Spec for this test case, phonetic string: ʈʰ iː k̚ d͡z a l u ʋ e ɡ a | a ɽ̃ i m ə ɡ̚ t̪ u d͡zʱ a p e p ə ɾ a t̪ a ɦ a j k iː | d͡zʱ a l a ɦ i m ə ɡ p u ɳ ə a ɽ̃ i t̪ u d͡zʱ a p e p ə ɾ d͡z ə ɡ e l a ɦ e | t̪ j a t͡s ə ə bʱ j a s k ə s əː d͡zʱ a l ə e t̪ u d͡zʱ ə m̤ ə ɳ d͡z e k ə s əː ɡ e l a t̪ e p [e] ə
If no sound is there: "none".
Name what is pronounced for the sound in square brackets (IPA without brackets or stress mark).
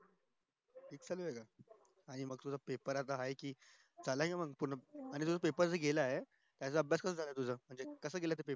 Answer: e